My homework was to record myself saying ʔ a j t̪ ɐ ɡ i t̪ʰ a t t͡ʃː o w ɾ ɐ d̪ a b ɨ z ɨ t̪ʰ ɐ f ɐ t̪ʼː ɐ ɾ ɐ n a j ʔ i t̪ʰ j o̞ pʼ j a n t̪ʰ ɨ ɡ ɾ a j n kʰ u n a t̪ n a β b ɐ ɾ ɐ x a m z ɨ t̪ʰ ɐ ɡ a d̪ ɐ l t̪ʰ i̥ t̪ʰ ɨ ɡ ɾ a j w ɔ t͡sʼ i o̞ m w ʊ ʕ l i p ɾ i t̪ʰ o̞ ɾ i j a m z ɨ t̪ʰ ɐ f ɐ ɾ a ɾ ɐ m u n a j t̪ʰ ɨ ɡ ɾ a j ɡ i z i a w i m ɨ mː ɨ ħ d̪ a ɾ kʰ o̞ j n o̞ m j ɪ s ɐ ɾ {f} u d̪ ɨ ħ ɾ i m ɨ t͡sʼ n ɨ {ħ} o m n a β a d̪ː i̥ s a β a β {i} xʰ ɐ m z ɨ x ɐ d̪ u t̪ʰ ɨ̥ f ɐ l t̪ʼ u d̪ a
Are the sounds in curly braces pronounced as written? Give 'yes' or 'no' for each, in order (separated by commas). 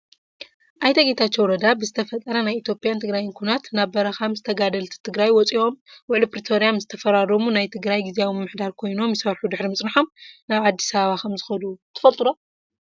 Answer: no, yes, no